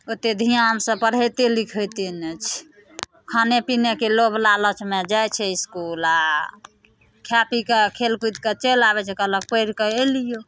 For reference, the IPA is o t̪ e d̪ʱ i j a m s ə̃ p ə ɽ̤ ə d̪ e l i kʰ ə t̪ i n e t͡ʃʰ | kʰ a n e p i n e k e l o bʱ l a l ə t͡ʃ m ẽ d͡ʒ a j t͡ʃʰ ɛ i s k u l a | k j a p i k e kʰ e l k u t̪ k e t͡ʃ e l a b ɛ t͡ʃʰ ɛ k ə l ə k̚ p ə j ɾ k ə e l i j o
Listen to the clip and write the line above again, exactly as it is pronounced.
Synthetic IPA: o t̪ e d̪ʱ i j a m s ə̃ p ə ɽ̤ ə t̪ e l i kʰ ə t̪ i n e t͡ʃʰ | kʰ a n e p i n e k e l o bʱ l a l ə t͡ʃ m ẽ d͡ʒ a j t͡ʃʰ ɛ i s k u l a | kʰ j a p i k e kʰ e l k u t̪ k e t͡ʃ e l a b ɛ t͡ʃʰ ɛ k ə l ə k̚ p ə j ɾ k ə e l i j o